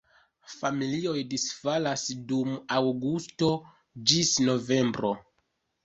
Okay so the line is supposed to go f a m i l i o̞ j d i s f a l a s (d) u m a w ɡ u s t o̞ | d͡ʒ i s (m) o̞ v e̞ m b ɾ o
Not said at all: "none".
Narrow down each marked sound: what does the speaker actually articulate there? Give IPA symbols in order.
d, n

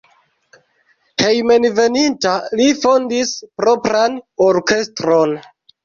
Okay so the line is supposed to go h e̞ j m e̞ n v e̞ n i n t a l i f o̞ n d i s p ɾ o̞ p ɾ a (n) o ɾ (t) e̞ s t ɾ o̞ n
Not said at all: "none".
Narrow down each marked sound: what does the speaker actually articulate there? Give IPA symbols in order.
n, k

